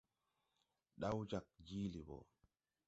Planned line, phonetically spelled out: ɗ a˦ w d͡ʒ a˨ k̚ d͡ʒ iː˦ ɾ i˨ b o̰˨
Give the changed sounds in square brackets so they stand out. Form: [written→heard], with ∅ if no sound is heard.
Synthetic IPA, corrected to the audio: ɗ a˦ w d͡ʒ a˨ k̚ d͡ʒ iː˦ [ɾ→l] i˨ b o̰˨